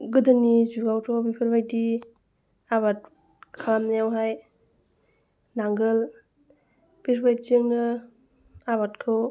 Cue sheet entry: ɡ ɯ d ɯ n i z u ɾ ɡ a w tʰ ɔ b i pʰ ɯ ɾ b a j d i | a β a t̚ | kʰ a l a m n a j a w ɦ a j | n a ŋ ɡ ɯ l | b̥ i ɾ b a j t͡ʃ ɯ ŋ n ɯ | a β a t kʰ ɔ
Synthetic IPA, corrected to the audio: ɡ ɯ d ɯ n i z u ɾ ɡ a w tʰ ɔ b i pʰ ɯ ɾ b a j d i | a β a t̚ | kʰ a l a m n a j a w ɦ a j | n a ŋ ɡ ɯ l | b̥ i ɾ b a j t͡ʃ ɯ ŋ n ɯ | a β a t kʰ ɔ

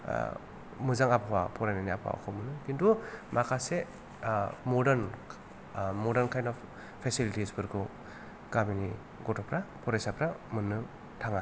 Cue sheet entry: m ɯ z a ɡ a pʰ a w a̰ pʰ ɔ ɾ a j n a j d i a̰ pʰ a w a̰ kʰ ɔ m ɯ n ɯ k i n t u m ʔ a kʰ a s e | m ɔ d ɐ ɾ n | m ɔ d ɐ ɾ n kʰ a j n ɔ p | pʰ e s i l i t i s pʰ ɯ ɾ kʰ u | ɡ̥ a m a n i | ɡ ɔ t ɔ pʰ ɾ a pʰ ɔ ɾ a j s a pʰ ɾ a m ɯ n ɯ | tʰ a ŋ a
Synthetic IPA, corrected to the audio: m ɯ z a ŋ a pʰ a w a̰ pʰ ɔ ɾ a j n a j n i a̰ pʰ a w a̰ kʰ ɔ m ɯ n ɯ k i n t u m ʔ a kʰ a s e | m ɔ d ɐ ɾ n | m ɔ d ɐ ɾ n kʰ a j n ɔ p | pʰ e s i l i t i s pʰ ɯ ɾ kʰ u | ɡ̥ a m i n i | ɡ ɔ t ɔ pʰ ɾ a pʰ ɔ ɾ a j s a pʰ ɾ a m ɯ n ɯ | tʰ a ŋ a

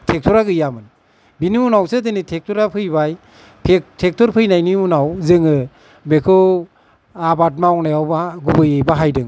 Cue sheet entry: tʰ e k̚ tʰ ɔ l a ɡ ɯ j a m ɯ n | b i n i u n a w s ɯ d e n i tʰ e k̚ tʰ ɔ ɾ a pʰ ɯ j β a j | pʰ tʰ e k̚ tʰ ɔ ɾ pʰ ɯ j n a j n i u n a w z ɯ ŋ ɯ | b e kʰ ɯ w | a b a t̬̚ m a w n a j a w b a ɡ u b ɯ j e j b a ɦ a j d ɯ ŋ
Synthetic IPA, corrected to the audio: tʰ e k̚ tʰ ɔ ɾ a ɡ ɯ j a m ɯ n | b i n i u n a w s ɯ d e n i tʰ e k̚ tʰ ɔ ɾ a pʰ ɯ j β a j | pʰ tʰ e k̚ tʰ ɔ ɾ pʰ ɯ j n a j n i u n a w z ɯ ŋ ɯ | b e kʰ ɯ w | a b a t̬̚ m a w n a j a w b a ɡ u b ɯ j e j b a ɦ a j d ɯ ŋ

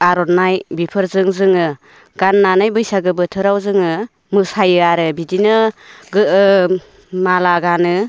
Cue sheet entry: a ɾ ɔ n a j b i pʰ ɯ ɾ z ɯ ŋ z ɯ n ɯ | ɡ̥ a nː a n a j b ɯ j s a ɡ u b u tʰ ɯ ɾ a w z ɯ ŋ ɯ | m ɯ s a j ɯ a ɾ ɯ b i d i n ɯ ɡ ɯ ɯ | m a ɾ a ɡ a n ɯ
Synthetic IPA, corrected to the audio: a ɾ ɔ n a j b i pʰ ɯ ɾ z ɯ ŋ z ɯ ŋ ɯ | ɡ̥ a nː a n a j b ɯ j s a ɡ ɯ b ɯ tʰ ɯ ɾ a w z ɯ ŋ ɯ | m ɯ s a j ɯ a ɾ ɯ b i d i n ɯ ɡ ɯ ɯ | m a l a ɡ a n ɯ

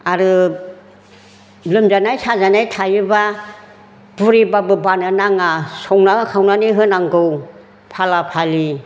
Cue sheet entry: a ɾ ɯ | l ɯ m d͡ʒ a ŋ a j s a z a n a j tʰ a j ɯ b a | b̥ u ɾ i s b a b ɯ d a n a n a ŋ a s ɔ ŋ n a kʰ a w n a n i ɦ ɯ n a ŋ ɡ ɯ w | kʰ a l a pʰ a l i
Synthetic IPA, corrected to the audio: a ɾ ɯ | l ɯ m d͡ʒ a n a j s a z a n a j tʰ a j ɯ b a | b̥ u ɾ i b a b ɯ b a n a n a ŋ a s ɔ ŋ n a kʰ a w n a n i ɦ ɯ n a ŋ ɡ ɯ w | pʰ a l a pʰ a l i

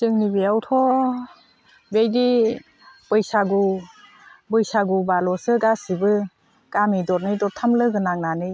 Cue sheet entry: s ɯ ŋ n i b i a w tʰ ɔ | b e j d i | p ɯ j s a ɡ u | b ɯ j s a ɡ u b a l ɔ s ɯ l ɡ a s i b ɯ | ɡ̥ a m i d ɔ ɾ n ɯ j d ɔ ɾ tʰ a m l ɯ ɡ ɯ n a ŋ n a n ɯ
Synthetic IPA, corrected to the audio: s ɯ ŋ n i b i a w tʰ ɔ | b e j d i | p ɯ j s a ɡ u | b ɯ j s a ɡ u b a l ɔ s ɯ ɡ a s i b ɯ | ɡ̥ a m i d ɔ ɾ n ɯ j d ɔ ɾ tʰ a m l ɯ ɡ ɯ n a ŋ n a n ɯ

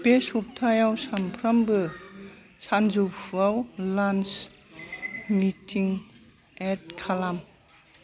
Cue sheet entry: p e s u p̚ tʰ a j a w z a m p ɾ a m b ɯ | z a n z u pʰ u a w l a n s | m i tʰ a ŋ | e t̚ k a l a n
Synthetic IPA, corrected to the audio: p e s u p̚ tʰ a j a w s a m pʰ ɾ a m b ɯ | s a n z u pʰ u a w l a n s | m i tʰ i ŋ | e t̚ kʰ a l a m

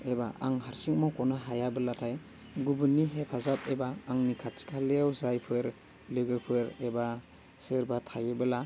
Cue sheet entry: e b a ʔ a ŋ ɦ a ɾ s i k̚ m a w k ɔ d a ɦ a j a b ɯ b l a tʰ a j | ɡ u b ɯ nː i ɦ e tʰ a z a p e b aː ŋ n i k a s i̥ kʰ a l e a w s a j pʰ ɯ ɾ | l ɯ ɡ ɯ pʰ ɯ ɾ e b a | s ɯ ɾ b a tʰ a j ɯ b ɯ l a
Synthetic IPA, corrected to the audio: e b a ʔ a ŋ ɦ a ɾ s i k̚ m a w k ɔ n a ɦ a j a b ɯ l a tʰ a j | ɡ u b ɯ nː i ɦ e pʰ a z a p e b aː ŋ n i kʰ a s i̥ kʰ a l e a w z a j pʰ ɯ ɾ | l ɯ ɡ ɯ pʰ ɯ ɾ e b a | s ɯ ɾ b a tʰ a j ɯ b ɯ l a

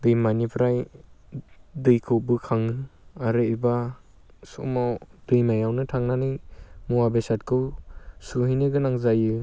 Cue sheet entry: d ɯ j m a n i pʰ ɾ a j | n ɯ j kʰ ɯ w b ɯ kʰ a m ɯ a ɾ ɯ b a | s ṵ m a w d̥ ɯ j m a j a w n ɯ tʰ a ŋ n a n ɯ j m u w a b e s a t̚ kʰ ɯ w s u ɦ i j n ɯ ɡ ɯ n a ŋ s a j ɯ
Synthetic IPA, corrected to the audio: d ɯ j m a n i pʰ ɾ a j | d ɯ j kʰ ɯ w b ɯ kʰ a ŋ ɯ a ɾ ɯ b a | s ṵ m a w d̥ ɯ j m a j a w n ɯ tʰ a ŋ n a n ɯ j m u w a b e s a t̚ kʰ ɯ w s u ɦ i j n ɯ ɡ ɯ n a ŋ z a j ɯ

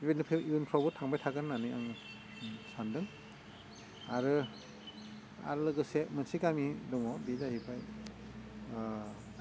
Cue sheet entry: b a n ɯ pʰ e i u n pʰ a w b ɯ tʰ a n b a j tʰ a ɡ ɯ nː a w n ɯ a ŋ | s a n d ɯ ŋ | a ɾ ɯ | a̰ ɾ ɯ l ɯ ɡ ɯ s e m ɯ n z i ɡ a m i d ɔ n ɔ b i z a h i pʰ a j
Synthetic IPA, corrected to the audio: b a n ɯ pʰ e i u n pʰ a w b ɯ tʰ a ŋ b a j tʰ a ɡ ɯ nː a n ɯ a ŋ | s a n d ɯ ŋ | a ɾ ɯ | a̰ ɾ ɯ l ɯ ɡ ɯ s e m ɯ n s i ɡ a m i d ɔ ŋ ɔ b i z a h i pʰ a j

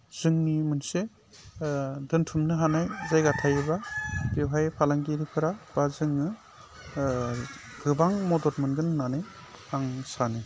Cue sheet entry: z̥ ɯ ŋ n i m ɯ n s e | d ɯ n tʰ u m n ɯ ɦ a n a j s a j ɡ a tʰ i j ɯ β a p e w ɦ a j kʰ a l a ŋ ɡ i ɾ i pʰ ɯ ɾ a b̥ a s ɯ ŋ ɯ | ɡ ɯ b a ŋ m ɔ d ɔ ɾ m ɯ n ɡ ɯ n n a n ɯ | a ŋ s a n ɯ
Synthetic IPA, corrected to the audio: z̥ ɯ ŋ n i m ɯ n s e | d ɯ n tʰ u m n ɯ ɦ a n a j z a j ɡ a tʰ a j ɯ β a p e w ɦ a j pʰ a l a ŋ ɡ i ɾ i pʰ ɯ ɾ a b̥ a z ɯ ŋ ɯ | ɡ ɯ b a ŋ m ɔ d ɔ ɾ m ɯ n ɡ ɯ n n a n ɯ | a ŋ s a n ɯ

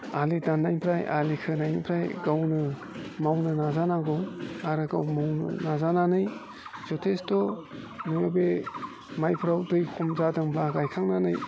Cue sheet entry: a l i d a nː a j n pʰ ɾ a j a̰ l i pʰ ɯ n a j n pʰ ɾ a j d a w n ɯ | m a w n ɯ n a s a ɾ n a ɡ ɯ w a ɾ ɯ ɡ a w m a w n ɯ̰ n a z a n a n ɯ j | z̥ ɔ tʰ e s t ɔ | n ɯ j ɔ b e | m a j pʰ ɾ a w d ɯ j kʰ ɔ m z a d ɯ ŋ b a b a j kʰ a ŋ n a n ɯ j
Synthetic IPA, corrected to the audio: a l i d a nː a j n pʰ ɾ a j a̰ l i kʰ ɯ n a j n pʰ ɾ a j ɡ a w n ɯ | m a w n ɯ n a z a n a ɡ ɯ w a ɾ ɯ ɡ a w m a w n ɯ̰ n a z a n a n ɯ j | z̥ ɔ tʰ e s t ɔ | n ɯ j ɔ b e | m a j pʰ ɾ a w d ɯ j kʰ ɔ m z a d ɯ ŋ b a ɡ a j kʰ a ŋ n a n ɯ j

